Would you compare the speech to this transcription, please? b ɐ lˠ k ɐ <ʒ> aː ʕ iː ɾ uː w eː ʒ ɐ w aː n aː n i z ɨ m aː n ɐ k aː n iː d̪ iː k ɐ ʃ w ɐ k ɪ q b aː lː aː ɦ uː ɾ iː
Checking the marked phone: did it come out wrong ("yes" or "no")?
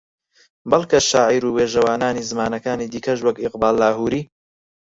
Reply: yes